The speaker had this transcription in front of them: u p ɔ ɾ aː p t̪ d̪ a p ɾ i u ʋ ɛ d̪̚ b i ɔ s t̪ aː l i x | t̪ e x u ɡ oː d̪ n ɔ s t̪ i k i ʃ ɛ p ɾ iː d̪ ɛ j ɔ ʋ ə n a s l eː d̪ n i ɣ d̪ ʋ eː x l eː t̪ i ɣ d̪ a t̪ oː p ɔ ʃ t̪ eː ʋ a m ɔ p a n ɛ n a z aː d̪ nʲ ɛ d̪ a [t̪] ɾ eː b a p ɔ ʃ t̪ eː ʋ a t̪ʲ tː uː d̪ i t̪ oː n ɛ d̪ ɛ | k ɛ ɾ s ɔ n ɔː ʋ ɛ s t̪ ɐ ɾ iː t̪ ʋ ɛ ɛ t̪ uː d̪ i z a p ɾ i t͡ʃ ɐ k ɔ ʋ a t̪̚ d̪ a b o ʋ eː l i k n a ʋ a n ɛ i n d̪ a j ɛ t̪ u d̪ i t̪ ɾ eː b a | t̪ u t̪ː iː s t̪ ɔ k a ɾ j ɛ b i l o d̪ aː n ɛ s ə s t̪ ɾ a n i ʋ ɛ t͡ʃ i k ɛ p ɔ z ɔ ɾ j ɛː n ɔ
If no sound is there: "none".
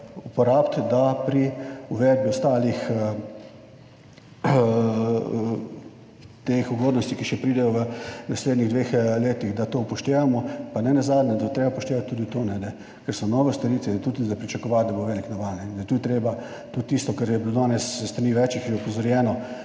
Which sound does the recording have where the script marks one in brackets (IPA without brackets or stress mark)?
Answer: t̪